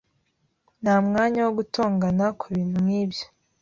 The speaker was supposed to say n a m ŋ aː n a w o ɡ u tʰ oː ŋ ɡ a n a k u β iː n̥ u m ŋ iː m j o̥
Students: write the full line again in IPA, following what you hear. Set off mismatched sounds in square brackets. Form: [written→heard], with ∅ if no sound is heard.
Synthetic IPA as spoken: n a m ŋ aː [n→ɲ] a w o ɡ u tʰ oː ŋ ɡ a n a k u β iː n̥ u m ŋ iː [m→b] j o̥